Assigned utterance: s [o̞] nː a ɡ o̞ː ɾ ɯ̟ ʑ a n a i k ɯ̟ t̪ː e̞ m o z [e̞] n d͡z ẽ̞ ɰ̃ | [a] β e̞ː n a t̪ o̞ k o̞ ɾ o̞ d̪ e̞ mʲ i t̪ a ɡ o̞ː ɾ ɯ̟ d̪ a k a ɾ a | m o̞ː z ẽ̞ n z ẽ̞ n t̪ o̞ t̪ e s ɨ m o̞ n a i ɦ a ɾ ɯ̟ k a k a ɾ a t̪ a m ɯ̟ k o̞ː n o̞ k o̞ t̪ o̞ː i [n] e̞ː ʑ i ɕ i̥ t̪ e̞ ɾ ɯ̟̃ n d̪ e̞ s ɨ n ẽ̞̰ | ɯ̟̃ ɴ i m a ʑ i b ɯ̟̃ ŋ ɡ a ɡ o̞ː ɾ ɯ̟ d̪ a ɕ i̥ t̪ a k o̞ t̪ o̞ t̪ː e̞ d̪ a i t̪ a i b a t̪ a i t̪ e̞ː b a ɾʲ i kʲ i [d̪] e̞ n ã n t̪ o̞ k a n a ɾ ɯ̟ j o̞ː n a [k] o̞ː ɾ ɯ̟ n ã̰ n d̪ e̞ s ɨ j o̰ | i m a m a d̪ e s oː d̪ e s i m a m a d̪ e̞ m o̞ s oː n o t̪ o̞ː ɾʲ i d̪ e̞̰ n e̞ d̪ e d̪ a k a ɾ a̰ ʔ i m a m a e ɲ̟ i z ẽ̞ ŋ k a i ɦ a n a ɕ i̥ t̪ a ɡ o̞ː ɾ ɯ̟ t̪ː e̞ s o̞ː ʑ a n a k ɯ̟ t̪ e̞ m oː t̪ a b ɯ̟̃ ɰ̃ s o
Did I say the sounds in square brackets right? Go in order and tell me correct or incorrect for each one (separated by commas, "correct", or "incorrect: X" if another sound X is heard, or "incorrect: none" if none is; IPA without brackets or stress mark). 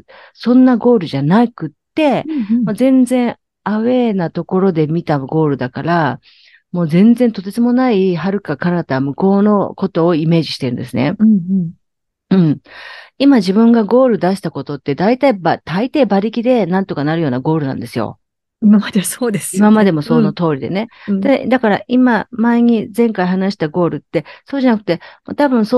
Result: incorrect: õ̞, incorrect: ẽ̞, correct, incorrect: m, correct, incorrect: ɡ